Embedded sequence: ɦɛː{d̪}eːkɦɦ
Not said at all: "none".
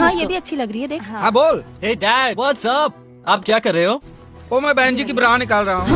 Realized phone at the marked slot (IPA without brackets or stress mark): d̪